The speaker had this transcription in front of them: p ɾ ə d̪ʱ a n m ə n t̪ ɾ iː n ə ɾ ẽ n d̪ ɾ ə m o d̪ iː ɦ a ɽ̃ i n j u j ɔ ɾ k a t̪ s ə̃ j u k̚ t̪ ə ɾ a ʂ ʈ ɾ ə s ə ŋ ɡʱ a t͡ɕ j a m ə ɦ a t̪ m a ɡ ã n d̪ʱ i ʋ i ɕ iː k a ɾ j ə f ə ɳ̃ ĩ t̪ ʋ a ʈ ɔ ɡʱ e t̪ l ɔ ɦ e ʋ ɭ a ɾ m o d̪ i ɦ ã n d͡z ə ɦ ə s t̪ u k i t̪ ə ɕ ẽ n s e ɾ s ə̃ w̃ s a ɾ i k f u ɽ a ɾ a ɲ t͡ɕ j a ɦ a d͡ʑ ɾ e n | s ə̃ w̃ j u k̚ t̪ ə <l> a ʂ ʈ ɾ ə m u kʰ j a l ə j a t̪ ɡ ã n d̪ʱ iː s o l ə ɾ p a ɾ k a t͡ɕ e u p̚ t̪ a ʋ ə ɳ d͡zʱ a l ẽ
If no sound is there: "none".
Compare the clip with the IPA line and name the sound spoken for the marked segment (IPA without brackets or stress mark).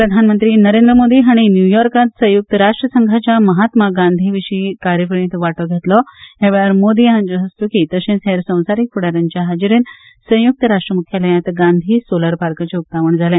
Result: ɾ